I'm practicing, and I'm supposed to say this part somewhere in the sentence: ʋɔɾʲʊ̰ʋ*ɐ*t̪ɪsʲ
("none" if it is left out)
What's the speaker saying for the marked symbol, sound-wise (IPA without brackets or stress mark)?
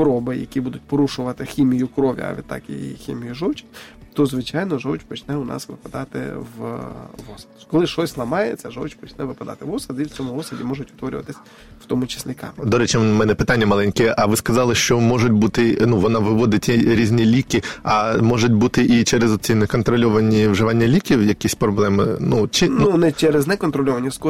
ɐ